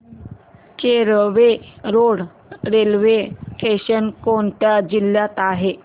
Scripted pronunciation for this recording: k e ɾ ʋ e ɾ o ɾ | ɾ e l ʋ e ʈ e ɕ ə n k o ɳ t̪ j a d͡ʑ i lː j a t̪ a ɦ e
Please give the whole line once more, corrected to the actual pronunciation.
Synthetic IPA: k e ɾ ʋ e ɾ o ɽ | ɾ e l ʋ e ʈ e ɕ ə n k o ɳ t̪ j a d͡ʑ i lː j a t̪ a ɦ e

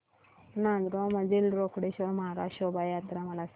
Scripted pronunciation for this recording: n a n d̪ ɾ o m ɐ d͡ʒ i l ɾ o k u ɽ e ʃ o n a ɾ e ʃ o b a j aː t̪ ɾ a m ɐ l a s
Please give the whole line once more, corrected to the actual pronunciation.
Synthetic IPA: n a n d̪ ɾ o m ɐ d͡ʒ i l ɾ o k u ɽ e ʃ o m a ɾ a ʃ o b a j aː t̪ ɾ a m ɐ l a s

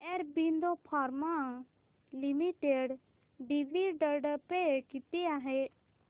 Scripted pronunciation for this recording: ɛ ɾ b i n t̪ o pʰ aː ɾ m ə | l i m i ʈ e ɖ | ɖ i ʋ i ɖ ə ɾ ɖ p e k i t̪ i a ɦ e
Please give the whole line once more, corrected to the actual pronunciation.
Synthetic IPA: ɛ ɾ b i n d̪ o pʰ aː ɾ m a | l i m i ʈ e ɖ | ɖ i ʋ i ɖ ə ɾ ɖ p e k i t̪ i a ɦ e

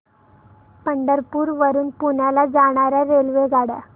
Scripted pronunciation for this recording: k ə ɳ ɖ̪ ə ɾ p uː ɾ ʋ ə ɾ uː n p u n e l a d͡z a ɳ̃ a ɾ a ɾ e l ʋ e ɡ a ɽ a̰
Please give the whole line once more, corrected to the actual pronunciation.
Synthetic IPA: p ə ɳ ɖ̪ ə ɾ p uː ɾ ʋ ə ɾ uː n p u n a l a d͡z a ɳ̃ a ɾ a ɾ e l ʋ e ɡ a ɽ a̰

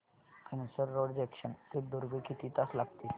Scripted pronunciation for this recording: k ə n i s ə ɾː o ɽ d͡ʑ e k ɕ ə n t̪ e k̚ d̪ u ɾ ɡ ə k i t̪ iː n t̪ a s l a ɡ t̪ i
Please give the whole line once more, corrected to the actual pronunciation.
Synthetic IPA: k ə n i s ə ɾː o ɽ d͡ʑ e k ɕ ə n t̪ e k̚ d̪ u ɾ ɡ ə k i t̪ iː t̪ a s l a ɡ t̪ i

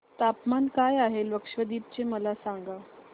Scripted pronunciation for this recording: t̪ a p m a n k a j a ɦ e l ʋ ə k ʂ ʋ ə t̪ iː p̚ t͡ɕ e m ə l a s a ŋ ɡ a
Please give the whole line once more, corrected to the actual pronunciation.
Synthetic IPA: t̪ a p m a n k a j a ɦ e l ʋ ə k ʂ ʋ ə d̪ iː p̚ t͡ɕ e m ə l a s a ŋ ɡ a

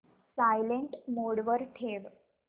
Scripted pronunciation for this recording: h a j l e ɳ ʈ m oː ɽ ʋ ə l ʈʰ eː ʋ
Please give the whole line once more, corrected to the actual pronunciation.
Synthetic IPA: s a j l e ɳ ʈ m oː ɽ ʋ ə ɾ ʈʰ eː ʋ

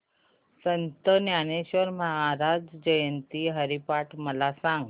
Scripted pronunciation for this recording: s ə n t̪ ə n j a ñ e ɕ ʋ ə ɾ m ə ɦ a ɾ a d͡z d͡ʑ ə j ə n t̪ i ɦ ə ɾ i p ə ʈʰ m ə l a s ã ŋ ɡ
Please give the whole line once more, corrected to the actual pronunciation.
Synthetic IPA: s ə n t̪ ə n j a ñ e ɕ ʋ ə ɾ m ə ɦ a ɾ a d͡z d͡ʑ ə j ə n t̪ i ɦ ə ɾ i p a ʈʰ m ə l a s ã ŋ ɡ

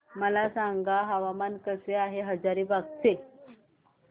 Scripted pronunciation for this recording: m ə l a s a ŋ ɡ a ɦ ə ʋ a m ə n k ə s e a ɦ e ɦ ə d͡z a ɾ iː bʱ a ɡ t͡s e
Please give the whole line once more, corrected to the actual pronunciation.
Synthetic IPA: m ə l a s a ŋ ɡ a ɦ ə ʋ a m a n k ə s e a ɦ e ɦ ə d͡z a ɾ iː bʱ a ɡ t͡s e

